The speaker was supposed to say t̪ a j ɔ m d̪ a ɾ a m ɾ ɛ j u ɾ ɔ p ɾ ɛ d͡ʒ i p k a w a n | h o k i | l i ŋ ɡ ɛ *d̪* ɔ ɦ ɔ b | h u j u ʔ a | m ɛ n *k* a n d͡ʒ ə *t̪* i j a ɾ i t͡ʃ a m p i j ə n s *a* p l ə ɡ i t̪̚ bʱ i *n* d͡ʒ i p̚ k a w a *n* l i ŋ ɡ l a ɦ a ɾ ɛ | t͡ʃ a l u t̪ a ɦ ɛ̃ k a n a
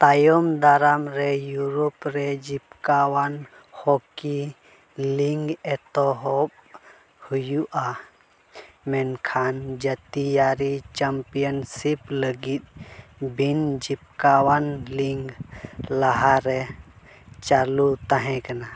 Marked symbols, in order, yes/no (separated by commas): no, no, yes, no, yes, yes